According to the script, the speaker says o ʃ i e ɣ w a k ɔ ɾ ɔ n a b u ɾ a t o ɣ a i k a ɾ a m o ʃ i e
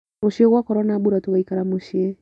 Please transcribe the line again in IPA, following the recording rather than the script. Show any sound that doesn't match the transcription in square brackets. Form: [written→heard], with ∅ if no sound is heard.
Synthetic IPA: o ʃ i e ɣ w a k ɔ ɾ ɔ n a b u ɾ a t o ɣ a i k a ɾ a m o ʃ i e